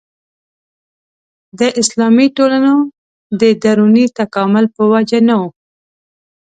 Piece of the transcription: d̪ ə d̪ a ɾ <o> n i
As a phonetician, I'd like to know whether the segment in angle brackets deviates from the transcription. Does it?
yes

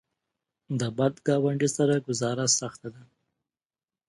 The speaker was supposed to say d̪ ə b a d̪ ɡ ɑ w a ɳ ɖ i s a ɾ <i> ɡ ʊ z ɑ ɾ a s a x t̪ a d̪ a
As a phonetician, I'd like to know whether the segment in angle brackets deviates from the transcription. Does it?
yes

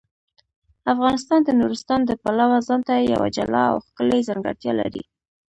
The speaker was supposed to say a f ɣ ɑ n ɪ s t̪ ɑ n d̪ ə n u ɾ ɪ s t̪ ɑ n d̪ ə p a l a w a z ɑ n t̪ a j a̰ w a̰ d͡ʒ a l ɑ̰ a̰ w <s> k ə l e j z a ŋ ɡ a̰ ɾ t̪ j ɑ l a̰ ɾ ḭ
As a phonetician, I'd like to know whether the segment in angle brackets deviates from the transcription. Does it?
yes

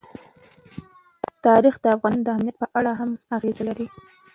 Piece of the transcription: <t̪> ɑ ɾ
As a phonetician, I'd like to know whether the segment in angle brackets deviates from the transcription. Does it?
no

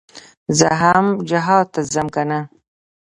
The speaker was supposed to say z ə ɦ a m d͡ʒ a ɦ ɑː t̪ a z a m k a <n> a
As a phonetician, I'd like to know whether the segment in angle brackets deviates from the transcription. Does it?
no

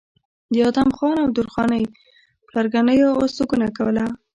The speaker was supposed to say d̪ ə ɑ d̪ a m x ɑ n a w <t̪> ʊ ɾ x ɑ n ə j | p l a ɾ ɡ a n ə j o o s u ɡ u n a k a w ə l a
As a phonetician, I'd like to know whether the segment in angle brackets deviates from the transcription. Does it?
yes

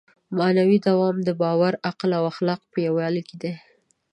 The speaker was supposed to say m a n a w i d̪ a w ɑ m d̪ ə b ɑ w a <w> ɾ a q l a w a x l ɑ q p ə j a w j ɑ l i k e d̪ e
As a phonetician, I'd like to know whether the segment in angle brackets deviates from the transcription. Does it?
yes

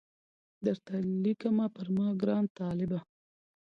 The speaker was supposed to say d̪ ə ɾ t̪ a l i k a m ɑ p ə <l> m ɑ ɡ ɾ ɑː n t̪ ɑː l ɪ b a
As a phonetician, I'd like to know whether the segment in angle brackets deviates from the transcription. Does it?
yes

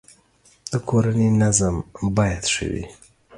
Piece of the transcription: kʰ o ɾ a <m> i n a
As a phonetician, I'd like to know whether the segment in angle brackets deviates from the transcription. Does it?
yes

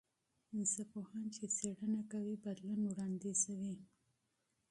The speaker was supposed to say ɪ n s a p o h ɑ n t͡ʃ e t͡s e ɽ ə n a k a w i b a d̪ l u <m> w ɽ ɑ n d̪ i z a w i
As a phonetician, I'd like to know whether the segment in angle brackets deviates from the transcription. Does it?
yes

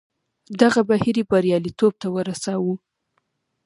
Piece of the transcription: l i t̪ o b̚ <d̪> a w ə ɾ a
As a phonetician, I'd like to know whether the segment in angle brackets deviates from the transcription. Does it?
yes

